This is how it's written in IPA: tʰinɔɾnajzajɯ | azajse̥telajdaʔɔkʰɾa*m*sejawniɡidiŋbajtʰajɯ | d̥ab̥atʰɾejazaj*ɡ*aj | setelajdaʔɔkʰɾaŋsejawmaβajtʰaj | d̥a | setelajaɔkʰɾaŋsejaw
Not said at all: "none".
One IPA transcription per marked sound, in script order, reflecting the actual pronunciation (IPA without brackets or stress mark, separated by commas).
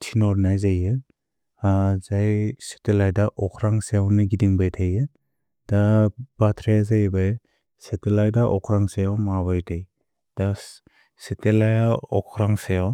ŋ, b